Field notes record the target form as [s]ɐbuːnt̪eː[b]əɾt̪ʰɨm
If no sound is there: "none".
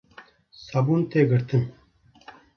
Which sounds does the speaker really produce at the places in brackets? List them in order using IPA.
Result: s, ɡ

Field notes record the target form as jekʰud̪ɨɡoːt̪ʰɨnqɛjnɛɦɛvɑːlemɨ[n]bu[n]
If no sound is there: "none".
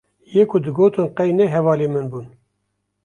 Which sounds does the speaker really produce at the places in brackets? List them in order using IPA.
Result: n, n

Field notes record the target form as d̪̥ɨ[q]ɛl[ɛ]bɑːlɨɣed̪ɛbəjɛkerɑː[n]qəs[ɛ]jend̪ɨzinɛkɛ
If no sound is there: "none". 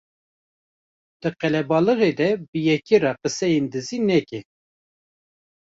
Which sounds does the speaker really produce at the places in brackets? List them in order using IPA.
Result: q, ɛ, none, ɛ

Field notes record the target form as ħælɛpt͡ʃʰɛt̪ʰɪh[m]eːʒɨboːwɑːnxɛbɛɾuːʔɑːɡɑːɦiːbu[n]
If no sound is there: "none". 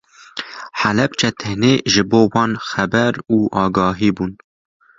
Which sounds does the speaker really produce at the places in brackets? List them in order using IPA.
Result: n, n

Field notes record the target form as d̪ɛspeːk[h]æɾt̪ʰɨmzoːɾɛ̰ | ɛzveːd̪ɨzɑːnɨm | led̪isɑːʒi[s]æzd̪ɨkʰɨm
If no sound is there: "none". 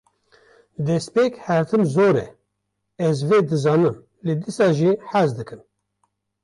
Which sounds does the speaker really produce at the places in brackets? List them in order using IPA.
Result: h, ħ

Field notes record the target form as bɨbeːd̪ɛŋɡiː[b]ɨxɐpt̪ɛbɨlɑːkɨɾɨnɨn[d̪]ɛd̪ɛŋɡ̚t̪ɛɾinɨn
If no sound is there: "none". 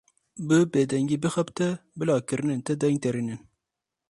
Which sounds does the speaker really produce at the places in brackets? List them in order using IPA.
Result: b, t̪

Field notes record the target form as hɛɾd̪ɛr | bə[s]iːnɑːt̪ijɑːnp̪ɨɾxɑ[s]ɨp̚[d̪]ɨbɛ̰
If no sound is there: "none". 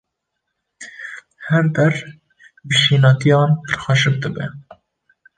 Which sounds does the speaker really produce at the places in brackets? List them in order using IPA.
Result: ʃ, ʃ, d̪

